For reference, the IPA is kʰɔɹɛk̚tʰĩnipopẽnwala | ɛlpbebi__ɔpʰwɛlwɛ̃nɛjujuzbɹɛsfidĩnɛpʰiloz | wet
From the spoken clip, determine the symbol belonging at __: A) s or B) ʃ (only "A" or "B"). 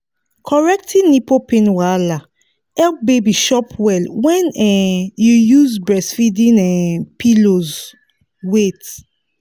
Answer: B